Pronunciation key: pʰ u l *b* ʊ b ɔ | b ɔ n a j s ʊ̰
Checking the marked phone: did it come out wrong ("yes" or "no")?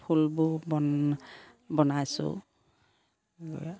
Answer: no